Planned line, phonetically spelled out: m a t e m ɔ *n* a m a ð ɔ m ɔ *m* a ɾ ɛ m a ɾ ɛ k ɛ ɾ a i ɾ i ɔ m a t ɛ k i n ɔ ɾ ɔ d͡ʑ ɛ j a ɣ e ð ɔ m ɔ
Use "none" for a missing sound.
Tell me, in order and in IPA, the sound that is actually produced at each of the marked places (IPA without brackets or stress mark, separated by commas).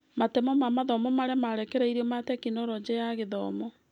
m, m